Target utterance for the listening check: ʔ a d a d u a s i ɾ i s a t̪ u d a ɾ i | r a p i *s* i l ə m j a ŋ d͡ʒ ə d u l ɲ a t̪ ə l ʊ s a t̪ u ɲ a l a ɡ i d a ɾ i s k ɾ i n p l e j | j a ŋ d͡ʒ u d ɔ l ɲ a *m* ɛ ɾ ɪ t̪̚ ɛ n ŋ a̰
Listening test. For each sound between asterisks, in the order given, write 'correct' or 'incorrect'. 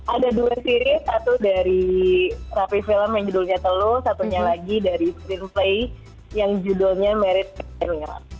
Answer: incorrect: f, correct

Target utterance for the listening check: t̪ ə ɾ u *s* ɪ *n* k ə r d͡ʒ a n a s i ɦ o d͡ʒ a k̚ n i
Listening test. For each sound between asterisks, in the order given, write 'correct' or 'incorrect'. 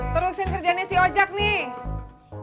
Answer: correct, correct

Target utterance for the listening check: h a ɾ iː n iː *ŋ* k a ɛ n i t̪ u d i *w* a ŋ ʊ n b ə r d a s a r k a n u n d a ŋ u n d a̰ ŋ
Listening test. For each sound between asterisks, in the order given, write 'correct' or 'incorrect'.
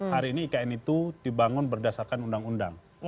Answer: incorrect: none, incorrect: b

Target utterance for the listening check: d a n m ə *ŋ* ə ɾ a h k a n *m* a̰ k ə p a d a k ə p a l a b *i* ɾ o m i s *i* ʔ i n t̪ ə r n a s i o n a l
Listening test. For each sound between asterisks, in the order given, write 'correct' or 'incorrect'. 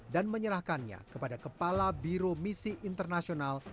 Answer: incorrect: ɲ, incorrect: ɲ, correct, correct

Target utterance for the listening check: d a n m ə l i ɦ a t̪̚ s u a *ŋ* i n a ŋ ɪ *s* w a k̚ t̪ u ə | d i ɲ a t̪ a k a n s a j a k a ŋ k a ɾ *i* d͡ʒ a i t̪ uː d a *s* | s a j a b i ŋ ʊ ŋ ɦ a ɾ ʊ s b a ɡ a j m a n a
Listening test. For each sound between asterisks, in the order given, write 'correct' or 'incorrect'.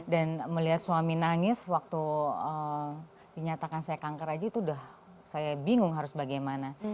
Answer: incorrect: m, correct, incorrect: a, incorrect: h

